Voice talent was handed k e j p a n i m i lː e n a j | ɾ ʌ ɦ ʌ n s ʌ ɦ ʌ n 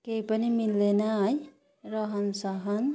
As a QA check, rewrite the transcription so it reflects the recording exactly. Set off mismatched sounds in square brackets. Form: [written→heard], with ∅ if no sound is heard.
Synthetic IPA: k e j p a n i m i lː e n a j | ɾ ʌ ɦ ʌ n s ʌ ɦ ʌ n